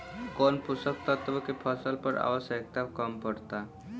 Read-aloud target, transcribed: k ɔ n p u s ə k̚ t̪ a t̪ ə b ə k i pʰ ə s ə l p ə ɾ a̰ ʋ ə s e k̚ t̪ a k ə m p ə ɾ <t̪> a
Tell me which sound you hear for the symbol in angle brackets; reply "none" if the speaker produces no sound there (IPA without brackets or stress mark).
t̪